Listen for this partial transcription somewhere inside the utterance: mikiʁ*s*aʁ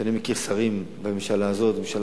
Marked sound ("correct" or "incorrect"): correct